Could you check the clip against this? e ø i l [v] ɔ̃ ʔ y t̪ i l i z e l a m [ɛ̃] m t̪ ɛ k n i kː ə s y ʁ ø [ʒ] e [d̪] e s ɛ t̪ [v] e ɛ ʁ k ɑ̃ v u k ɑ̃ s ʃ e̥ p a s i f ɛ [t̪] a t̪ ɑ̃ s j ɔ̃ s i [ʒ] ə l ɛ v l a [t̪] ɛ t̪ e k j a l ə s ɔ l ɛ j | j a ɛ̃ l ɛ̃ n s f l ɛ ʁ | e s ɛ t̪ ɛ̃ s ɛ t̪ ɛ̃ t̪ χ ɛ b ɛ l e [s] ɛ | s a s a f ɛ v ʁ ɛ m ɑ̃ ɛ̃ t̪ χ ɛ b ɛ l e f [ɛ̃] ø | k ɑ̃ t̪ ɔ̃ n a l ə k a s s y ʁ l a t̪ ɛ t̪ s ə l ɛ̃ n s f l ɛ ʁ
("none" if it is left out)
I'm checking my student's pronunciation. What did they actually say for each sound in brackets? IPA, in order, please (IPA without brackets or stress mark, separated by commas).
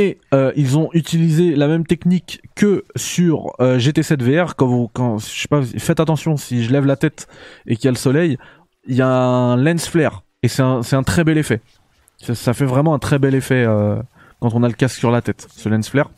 z, ɛ, ʒ, t̪, v, t̪, ʒ, t̪, f, ɛ